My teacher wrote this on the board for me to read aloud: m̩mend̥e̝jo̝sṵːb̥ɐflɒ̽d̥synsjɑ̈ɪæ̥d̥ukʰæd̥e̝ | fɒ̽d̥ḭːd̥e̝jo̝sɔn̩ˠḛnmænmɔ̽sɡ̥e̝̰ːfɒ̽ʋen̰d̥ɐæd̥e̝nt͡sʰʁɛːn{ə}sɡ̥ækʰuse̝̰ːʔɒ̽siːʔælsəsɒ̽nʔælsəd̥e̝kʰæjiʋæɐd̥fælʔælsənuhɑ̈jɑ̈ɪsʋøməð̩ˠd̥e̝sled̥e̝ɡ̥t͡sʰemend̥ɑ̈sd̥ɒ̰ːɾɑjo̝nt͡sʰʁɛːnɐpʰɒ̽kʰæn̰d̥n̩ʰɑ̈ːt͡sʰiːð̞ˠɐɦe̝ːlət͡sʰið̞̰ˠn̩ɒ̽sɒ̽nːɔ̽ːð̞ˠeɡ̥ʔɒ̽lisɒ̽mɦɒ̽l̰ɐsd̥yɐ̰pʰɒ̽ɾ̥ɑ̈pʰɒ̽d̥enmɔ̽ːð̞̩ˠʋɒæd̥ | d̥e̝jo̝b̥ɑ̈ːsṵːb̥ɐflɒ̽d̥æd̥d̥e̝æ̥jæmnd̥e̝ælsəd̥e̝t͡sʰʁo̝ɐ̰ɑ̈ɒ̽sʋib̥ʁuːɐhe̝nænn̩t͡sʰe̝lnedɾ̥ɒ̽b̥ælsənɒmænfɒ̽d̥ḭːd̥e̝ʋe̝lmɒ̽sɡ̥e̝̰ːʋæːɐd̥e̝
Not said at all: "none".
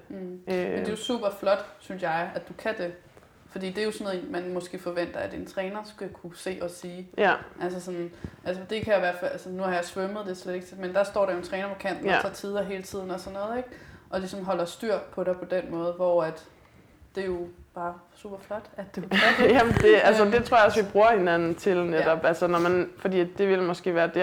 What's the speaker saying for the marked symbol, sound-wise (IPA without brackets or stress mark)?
ɐ